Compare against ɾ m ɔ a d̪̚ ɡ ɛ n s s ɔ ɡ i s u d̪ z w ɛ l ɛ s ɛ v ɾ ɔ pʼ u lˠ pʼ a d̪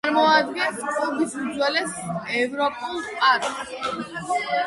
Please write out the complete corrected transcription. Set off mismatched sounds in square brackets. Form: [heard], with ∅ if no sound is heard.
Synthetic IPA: ɾ m ɔ a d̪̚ ɡ ɛ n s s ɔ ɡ i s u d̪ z w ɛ l ɛ s ɛ v ɾ ɔ pʼ u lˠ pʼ a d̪